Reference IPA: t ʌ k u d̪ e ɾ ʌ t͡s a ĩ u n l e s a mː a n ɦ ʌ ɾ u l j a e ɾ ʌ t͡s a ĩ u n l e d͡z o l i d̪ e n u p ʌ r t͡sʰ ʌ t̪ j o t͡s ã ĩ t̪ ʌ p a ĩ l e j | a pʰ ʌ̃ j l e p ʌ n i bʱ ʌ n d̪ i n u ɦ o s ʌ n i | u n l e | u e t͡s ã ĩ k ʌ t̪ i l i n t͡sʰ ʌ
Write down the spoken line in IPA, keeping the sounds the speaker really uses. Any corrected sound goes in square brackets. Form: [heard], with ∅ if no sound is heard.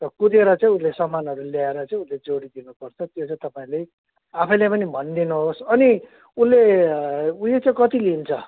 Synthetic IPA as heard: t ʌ k u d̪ e ɾ ʌ t͡s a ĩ u n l e s [ʌ] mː a n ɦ ʌ ɾ u l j a e ɾ ʌ t͡s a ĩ u n l e d͡z o [ɽ] i d̪ [i] n u p ʌ r t͡sʰ ʌ t̪ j o t͡s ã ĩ t̪ ʌ p a ĩ l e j | a pʰ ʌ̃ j l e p ʌ n i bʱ ʌ n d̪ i n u ɦ o s ʌ n i | u n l e | u e t͡s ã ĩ k ʌ t̪ i l i n t͡sʰ ʌ